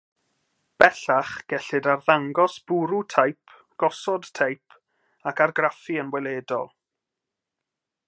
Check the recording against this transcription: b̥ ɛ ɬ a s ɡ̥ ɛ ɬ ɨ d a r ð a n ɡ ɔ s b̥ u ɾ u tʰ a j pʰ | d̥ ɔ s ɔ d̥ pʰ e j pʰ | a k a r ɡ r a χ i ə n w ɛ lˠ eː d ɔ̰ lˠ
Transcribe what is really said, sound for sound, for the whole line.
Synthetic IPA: b̥ ɛ ɬ a χ ɡ̥ ɛ ɬ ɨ d a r ð a ŋ ɡ ɔ s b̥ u ɾ u tʰ a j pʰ | ɡ̥ ɔ s ɔ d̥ tʰ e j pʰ | a k a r ɡ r a f i ə n w ɛ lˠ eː d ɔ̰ lˠ